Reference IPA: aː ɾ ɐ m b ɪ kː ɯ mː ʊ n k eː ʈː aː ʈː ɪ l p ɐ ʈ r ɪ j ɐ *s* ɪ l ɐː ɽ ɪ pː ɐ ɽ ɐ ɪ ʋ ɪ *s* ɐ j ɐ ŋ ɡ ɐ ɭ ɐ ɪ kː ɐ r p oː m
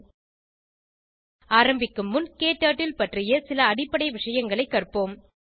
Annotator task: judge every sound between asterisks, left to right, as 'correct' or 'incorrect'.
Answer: correct, incorrect: ʂ

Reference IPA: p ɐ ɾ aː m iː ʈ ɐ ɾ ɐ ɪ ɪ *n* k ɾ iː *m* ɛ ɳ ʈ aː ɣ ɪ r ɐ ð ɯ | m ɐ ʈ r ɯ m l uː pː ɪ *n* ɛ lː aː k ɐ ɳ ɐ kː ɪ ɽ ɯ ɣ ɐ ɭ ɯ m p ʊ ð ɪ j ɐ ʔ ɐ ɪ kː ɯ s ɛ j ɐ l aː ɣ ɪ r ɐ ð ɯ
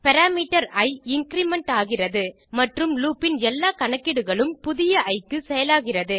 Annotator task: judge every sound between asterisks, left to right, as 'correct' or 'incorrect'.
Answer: incorrect: ŋ, correct, correct

